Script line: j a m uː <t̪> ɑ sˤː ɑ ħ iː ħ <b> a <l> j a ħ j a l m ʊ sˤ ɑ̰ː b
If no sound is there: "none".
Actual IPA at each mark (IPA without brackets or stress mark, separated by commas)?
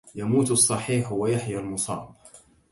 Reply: t̪, w, none